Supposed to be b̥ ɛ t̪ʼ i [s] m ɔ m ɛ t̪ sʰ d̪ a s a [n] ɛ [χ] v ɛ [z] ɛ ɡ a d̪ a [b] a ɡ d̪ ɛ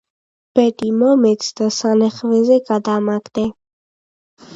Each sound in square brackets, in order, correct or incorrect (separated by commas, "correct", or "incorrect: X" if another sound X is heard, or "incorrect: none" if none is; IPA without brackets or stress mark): incorrect: none, correct, correct, correct, incorrect: m